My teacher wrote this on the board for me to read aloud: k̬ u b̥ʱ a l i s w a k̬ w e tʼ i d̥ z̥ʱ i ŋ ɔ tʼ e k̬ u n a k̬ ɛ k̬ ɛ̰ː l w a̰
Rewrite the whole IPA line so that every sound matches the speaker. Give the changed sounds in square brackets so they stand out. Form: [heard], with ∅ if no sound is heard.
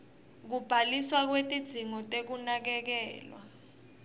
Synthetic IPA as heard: k̬ u b̥ʱ a l i s w a k̬ w e tʼ i d̥ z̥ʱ i ŋ ɔ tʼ e k̬ u n a k̬ ɛ k̬ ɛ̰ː l w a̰